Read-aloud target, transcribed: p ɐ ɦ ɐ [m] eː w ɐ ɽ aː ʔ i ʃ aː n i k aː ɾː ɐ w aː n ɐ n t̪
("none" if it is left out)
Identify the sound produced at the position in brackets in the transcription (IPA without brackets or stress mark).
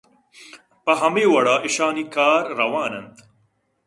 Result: m